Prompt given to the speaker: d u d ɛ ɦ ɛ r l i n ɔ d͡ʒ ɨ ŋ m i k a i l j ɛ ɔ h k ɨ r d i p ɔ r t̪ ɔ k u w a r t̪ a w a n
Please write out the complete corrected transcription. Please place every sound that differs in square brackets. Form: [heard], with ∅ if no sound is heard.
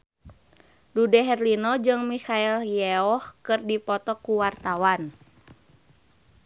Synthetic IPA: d u d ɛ ɦ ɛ r l i n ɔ d͡ʒ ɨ ŋ m i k a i l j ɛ ɔ h k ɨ r d i p ɔ [∅] t̪ ɔ k u w a r t̪ a w a n